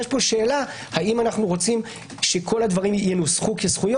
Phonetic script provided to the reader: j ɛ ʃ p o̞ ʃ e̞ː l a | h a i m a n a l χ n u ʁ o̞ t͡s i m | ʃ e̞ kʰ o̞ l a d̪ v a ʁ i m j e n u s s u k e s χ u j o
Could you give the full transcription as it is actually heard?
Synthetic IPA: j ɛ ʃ p o̞ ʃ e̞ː l a | h a i m a n a χ n u ʁ o̞ t͡s i m | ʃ e̞ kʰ o̞ l a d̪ v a ʁ i m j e n u s χ u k e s χ u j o